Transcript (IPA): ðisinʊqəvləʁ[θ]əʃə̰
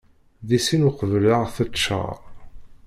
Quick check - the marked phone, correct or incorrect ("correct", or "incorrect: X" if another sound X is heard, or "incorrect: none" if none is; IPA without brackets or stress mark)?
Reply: correct